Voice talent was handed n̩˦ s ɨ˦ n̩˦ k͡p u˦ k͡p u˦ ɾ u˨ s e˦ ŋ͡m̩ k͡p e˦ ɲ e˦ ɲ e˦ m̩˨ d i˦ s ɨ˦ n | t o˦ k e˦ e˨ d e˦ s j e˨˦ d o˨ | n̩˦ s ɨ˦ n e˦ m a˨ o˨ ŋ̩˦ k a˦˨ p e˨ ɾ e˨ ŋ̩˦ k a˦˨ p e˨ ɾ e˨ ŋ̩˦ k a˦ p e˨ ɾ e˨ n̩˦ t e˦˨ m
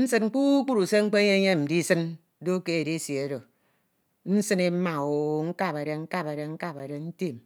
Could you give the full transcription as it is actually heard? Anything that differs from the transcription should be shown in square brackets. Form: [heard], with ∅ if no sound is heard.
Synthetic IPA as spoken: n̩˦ s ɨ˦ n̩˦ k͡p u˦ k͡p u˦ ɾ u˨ s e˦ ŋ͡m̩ k͡p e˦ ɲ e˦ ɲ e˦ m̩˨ d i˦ s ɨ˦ n | [d] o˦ k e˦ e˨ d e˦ s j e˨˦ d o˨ | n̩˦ s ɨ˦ n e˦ m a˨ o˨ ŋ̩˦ k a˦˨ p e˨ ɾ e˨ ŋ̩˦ k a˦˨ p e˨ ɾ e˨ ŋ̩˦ k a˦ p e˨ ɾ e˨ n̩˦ t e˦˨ m